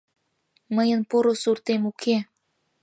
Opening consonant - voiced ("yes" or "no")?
yes